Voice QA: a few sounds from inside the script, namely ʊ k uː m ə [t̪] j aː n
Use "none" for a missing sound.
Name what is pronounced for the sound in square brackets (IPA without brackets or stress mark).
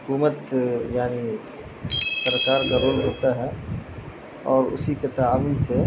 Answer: t̪